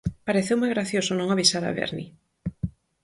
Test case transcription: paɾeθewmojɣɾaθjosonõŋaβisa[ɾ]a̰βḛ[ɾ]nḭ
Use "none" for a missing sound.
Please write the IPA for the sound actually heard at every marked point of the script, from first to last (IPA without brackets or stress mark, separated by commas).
ɾ, ɾ